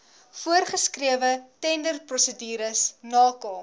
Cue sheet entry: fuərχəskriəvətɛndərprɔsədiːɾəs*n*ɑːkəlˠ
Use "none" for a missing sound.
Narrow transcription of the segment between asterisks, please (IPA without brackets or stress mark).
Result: n